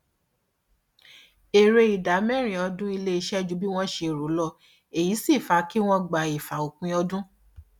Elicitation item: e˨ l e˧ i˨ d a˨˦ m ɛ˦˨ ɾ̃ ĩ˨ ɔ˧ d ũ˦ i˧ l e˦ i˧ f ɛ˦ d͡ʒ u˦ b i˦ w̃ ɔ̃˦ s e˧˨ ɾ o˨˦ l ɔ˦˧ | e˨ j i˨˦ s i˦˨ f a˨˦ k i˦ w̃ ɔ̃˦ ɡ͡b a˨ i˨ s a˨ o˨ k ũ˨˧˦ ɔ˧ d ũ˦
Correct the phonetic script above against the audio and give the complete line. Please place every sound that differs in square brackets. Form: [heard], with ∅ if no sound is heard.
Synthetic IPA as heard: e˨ [ɾ] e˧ i˨ d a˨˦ m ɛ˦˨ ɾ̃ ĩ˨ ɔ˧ d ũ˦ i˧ l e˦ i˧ [ʃ] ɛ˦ d͡ʒ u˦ b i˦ w̃ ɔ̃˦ [ʃ] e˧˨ ɾ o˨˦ l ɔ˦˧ | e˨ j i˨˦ s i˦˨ f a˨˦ k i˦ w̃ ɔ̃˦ ɡ͡b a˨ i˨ [f] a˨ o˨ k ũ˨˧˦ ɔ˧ d ũ˦